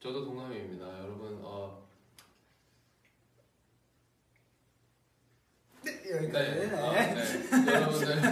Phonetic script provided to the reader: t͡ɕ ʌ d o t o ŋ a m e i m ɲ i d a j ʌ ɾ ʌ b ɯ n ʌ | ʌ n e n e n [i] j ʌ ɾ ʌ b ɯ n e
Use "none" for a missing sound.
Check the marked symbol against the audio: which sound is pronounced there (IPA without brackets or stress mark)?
e